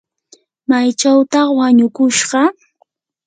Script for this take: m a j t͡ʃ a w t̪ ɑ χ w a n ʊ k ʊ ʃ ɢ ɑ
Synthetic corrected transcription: m a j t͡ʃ a w t̪ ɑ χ w a ɲ ʊ k ʊ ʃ ɢ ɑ